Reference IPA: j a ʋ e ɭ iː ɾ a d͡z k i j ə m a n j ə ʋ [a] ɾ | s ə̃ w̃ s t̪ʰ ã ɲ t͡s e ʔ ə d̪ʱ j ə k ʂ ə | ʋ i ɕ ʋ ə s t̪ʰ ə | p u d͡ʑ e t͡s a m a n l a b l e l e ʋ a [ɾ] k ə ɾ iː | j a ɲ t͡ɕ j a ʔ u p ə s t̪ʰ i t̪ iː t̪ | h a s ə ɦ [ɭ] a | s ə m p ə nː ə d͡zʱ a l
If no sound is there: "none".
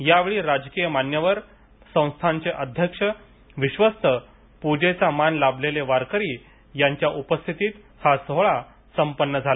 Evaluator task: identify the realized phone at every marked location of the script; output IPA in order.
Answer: ə, ɾ, ɭ

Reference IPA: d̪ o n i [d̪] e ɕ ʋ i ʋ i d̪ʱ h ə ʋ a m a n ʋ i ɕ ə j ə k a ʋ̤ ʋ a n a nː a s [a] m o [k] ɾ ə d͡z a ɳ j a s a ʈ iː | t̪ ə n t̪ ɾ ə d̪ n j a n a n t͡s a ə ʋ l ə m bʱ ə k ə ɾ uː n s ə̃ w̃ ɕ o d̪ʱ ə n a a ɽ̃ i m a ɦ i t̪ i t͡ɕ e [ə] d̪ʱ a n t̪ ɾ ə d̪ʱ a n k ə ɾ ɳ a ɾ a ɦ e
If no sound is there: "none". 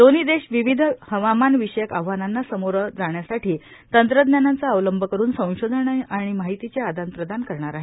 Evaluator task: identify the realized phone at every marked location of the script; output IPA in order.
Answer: d̪, ə, none, a

